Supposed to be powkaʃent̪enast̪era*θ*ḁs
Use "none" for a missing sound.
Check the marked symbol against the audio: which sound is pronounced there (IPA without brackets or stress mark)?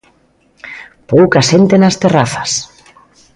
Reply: θ